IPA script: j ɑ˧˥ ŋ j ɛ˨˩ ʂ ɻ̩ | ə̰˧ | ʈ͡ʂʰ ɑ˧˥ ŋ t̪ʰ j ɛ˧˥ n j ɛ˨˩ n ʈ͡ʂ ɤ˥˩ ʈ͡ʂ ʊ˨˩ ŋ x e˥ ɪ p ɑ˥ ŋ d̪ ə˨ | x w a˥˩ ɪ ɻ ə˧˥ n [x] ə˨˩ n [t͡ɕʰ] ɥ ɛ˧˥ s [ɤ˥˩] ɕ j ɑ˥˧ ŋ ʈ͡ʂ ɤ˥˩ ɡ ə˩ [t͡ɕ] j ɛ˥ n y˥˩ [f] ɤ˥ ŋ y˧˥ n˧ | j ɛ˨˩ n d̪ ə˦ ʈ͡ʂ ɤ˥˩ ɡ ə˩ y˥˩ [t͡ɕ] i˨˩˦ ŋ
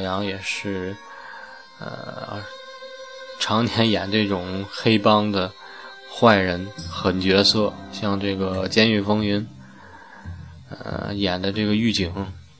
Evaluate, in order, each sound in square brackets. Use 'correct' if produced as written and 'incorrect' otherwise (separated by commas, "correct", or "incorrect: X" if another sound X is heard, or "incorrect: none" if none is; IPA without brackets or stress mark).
correct, incorrect: t͡ɕ, correct, correct, correct, correct